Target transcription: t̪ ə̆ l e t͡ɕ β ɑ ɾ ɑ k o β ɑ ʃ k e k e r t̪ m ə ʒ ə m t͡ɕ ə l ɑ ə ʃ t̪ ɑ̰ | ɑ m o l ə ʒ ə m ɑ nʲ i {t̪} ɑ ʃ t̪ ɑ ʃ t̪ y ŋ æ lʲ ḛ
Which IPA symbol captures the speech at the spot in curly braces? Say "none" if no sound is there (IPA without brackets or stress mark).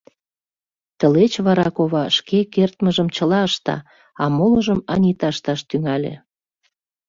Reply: t̪